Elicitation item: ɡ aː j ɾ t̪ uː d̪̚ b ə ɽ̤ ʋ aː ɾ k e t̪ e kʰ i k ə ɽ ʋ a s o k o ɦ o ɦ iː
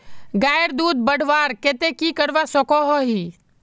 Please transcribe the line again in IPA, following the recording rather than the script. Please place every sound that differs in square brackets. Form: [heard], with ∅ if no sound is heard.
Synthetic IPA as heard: ɡ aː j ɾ [d̪] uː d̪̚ b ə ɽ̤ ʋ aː ɾ k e t̪ e [k] i k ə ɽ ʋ a s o k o ɦ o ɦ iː